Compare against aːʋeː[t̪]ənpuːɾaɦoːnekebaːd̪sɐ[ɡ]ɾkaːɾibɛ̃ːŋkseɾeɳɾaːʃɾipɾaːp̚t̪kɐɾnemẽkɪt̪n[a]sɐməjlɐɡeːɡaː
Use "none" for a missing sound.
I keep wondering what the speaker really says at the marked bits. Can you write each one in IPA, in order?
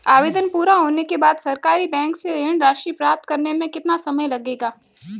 d̪, none, a

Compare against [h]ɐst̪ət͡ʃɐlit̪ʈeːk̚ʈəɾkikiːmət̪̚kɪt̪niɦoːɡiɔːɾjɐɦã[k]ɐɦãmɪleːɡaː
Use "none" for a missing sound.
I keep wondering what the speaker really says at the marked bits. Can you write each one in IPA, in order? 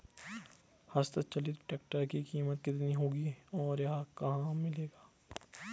h, k

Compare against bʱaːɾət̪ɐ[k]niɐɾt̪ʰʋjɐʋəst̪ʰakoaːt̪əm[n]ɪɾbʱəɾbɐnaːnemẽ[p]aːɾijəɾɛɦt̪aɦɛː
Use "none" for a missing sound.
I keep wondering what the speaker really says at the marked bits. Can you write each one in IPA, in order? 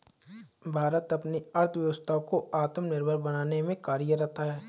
p, n, k

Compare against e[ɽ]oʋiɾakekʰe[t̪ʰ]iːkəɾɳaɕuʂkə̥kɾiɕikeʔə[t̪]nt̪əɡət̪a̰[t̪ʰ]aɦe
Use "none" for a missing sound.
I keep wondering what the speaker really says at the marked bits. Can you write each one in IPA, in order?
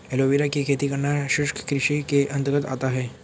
l, t̪, none, t̪

